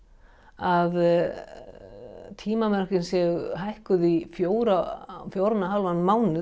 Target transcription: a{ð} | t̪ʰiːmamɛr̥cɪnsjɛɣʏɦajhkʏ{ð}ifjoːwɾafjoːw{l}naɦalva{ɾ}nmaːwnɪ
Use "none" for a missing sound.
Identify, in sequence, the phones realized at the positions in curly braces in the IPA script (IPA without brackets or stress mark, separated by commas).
ð, ð, ɾ, none